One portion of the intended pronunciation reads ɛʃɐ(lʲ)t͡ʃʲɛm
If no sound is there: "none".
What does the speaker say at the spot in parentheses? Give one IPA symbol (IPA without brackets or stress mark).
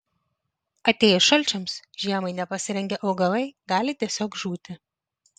lʲ